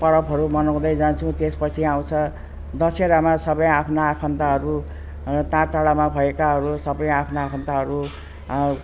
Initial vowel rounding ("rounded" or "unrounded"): unrounded